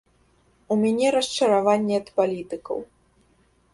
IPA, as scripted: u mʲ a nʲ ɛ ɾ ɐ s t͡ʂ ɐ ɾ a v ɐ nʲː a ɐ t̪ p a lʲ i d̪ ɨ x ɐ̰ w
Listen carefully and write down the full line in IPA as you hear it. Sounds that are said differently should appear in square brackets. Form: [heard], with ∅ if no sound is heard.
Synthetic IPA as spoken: u mʲ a nʲ ɛ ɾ ɐ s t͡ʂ ɐ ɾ a v [a] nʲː [ɛ] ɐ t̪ p a lʲ i [t̪] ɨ [k] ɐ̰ w